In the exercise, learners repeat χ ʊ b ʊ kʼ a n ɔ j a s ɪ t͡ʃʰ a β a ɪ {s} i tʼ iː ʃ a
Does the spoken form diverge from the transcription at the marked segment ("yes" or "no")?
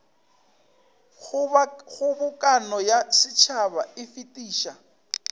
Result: yes